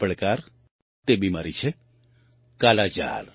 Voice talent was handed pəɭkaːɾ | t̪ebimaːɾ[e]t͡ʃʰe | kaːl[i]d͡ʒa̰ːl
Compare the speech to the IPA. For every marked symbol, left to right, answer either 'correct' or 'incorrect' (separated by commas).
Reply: incorrect, incorrect